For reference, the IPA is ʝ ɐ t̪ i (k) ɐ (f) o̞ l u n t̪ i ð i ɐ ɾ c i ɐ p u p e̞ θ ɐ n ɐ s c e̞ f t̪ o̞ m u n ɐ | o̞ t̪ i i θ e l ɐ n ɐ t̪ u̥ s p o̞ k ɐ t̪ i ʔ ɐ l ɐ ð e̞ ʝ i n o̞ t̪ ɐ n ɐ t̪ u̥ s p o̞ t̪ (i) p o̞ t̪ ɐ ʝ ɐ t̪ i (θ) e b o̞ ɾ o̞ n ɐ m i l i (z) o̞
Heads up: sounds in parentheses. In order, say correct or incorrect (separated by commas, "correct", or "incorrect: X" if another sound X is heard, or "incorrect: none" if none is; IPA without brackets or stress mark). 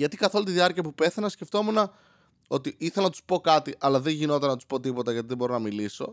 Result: correct, incorrect: θ, correct, incorrect: ð, incorrect: s